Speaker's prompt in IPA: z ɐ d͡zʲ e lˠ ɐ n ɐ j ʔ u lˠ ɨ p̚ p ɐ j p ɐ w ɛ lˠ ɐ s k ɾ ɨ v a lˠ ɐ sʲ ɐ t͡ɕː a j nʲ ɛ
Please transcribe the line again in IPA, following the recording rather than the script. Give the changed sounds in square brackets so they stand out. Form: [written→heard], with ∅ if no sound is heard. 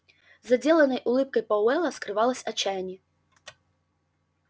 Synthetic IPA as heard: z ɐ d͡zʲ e lˠ ɐ n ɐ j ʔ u lˠ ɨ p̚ [p→k] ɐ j p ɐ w ɛ lˠ ɐ s k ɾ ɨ v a lˠ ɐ sʲ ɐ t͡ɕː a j nʲ ɛ